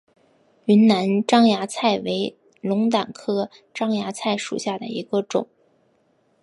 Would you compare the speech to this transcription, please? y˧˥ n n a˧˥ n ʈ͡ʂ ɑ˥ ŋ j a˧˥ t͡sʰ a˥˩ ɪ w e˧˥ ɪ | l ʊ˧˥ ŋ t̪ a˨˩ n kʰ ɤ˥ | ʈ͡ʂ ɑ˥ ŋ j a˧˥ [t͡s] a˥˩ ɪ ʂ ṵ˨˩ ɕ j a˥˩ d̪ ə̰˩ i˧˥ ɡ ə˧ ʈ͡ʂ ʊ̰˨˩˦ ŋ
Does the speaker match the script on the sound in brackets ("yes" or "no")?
no